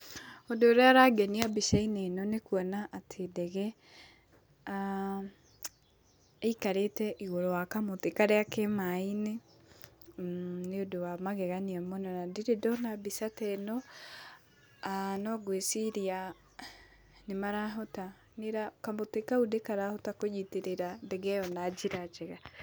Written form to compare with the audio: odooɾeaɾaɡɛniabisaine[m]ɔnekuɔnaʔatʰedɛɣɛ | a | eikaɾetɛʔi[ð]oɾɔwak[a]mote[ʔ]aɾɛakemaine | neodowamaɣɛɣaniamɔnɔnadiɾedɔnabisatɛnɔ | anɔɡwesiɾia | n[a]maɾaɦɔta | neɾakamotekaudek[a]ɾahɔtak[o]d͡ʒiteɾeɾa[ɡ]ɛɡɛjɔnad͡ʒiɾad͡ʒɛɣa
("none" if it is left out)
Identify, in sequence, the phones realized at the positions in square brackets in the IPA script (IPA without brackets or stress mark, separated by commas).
n, ɣ, a, k, e, a, o, d